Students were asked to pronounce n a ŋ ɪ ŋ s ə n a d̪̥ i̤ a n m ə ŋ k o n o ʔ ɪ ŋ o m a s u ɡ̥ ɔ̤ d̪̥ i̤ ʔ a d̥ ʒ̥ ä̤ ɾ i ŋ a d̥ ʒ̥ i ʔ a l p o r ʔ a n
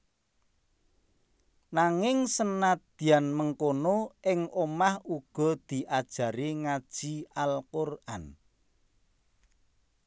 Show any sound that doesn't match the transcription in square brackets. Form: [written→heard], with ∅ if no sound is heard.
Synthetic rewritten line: n a ŋ ɪ ŋ s ə n a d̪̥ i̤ a n m ə ŋ k o n o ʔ ɪ ŋ o m a [s→h] u ɡ̥ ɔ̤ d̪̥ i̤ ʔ a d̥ ʒ̥ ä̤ ɾ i ŋ a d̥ ʒ̥ i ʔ a l [p→k] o r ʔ a n